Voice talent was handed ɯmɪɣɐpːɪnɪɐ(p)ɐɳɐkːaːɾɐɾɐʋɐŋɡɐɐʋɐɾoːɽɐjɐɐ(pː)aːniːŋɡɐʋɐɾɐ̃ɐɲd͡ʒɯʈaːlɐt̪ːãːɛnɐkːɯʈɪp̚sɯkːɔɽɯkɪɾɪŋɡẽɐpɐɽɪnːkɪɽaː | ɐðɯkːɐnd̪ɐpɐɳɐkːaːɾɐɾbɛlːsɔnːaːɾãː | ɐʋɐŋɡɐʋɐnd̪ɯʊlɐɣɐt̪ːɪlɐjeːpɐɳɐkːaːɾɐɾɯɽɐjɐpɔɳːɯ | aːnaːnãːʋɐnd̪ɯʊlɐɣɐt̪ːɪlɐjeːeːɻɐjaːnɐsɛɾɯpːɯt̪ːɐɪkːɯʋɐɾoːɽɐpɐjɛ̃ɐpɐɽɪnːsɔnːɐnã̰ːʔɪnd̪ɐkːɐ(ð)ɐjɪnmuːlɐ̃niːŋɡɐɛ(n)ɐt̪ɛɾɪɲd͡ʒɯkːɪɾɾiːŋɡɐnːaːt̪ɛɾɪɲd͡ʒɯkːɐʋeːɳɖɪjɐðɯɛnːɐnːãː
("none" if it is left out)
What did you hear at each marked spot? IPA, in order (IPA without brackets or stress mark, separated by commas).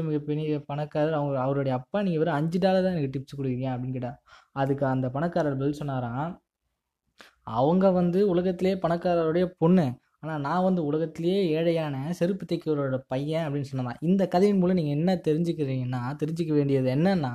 p, pː, ð, nː